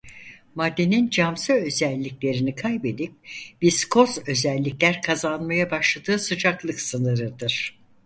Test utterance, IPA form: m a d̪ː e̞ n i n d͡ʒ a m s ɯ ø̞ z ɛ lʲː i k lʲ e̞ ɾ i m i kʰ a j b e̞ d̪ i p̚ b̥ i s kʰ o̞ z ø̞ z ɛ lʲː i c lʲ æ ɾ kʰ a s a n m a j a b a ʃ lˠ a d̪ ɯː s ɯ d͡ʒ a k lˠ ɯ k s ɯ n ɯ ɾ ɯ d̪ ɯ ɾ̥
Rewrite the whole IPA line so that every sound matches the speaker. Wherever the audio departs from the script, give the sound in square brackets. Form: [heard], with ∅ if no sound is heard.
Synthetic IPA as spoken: m a d̪ː e̞ n i n d͡ʒ a m s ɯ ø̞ z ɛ lʲː i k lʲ e̞ ɾ i [n] i kʰ a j b e̞ d̪ i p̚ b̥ i s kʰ o̞ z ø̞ z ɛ lʲː i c lʲ æ ɾ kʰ a [z] a n m a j a b a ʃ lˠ a d̪ ɯː s ɯ d͡ʒ a k lˠ ɯ k s ɯ n ɯ ɾ ɯ d̪ ɯ ɾ̥

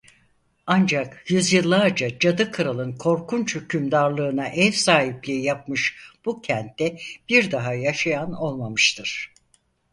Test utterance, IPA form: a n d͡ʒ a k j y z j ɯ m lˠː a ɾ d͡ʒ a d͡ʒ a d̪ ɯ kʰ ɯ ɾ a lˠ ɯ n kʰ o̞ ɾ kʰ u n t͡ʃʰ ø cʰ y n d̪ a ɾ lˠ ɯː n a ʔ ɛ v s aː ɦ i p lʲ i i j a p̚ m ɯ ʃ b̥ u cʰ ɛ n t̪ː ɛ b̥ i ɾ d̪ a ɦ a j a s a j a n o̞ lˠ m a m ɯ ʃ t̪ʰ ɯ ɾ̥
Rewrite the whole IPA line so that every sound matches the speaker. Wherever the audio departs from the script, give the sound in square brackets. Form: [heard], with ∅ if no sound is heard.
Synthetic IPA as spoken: a n d͡ʒ a k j y z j ɯ [∅] lˠː a ɾ d͡ʒ a d͡ʒ a d̪ ɯ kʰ ɯ ɾ a lˠ ɯ n kʰ o̞ ɾ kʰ u n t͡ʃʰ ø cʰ y [m] d̪ a ɾ lˠ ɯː n a ʔ ɛ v s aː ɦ i p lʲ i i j a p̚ m ɯ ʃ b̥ u cʰ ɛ n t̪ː ɛ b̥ i ɾ d̪ a ɦ a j a [ʃ] a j a n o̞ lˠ m a m ɯ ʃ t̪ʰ ɯ ɾ̥

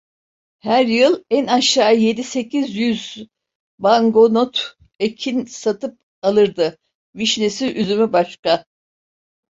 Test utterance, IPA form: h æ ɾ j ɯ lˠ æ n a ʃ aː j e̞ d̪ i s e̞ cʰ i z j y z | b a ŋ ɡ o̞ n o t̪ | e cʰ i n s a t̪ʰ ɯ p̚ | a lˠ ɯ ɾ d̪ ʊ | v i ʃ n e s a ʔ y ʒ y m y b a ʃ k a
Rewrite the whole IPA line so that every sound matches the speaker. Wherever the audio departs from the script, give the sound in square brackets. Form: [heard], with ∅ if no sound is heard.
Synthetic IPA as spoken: h æ ɾ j ɯ lˠ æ n a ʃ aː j e̞ d̪ i s e̞ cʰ i z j y z | b a ŋ ɡ o̞ n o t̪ | e cʰ i n s a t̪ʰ ɯ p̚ | a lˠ ɯ ɾ d̪ [ɯ] | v i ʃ n e s [i] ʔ y [z] y m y b a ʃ k a

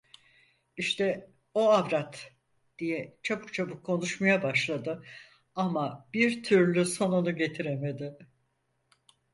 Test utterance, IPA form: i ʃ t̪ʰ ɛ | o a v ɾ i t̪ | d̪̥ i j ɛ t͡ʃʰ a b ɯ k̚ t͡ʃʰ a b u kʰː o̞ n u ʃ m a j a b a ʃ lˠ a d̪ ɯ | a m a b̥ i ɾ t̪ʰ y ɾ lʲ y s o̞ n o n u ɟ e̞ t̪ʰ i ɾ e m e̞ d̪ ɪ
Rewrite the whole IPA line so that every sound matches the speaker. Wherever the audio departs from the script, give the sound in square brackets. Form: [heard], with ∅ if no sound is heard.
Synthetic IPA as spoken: i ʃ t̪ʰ ɛ | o a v ɾ [a] t̪ | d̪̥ i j ɛ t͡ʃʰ a b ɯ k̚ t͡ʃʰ a b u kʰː o̞ n u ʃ m a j a b a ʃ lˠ a d̪ ɯ | a m a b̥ i ɾ t̪ʰ y ɾ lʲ y s o̞ n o n u ɟ e̞ t̪ʰ i ɾ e m e̞ d̪ ɪ

